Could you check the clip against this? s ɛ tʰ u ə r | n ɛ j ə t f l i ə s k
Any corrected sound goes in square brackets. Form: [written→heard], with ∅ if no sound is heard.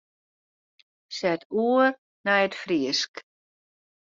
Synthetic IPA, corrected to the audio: s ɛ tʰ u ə r | n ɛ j ə t f [l→r] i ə s k